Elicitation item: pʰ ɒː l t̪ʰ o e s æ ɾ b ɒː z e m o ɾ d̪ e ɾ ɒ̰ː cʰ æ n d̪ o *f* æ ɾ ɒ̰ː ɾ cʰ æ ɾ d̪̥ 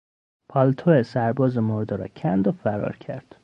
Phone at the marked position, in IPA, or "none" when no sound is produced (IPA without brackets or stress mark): f